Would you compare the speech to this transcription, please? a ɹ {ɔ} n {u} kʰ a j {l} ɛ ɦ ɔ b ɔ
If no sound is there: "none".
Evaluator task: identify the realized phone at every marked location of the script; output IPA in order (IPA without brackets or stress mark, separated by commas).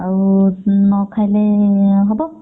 u, ɔ, l